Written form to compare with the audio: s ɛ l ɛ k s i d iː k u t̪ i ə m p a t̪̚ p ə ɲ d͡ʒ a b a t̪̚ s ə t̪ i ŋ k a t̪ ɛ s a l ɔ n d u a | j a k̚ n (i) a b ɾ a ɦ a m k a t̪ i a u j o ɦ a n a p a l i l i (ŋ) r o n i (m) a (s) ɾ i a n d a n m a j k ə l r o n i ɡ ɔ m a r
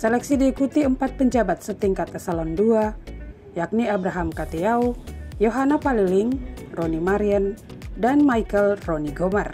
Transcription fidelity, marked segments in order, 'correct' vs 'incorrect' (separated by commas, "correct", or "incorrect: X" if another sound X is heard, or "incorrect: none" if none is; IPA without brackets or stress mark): correct, correct, correct, incorrect: none